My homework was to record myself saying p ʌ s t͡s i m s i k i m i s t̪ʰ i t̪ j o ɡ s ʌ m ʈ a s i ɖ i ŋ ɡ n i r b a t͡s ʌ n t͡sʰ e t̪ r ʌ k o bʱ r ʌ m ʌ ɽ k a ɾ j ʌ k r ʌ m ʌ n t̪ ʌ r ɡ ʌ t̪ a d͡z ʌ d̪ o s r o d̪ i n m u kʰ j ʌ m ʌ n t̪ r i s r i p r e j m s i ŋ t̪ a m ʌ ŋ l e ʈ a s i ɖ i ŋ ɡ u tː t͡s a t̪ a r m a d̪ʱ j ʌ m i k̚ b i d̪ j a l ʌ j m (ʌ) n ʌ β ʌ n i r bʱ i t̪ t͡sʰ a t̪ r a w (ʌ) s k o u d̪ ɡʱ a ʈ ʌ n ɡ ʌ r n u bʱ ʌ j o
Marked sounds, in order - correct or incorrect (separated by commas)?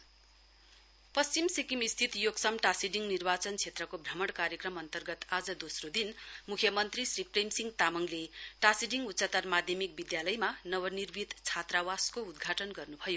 incorrect, incorrect